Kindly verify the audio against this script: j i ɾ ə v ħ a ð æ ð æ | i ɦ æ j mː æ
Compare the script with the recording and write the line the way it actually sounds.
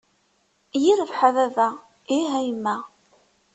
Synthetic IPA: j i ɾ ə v ħ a ð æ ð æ | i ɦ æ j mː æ